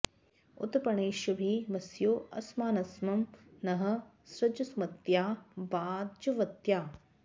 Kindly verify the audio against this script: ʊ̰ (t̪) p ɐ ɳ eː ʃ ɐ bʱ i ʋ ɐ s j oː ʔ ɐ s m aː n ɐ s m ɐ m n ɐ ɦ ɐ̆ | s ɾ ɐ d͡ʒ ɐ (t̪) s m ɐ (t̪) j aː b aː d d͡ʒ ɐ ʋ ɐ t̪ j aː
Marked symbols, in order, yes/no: yes, no, yes

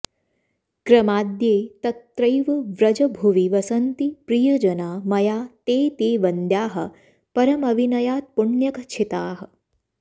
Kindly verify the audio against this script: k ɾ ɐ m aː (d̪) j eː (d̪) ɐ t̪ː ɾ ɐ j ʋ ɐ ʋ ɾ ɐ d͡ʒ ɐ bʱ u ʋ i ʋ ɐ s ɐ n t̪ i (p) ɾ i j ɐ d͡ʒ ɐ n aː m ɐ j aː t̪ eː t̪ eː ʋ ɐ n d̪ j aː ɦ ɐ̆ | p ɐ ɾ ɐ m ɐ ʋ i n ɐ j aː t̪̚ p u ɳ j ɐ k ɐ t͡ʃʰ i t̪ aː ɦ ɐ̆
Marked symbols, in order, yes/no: yes, no, yes

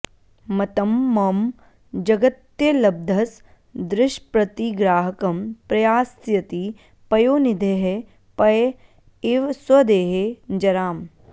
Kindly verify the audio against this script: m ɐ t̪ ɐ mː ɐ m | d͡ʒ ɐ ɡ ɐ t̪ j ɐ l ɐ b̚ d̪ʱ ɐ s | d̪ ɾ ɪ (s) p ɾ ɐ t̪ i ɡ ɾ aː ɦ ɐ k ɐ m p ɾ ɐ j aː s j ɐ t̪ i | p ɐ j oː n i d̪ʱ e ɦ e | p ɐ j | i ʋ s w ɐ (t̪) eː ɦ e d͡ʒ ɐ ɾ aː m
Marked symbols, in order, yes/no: no, no

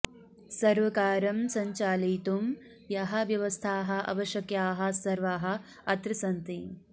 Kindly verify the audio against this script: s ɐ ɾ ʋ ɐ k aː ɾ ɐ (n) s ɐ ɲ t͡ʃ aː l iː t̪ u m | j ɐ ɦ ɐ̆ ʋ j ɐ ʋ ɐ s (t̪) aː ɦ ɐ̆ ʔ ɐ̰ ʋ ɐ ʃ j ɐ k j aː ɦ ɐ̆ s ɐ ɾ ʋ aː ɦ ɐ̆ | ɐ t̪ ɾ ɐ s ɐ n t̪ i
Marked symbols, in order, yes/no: no, no

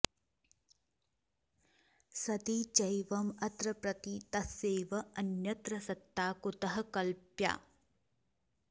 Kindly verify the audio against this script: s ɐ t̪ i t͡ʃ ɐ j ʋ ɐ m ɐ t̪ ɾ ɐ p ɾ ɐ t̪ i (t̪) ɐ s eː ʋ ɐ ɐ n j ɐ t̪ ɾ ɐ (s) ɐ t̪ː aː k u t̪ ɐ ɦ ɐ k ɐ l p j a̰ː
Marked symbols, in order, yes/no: yes, yes

